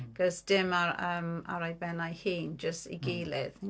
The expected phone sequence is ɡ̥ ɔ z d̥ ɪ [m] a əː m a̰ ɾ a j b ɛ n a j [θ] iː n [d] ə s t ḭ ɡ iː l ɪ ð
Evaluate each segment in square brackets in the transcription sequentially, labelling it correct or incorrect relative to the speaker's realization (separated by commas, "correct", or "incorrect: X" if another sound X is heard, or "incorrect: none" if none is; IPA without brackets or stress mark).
correct, incorrect: h, incorrect: d͡ʒ